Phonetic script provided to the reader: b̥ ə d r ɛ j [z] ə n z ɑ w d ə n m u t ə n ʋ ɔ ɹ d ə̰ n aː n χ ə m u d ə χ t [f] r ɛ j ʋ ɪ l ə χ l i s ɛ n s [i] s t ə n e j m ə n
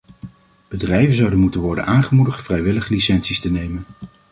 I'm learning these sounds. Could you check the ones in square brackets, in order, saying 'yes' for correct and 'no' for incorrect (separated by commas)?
no, yes, yes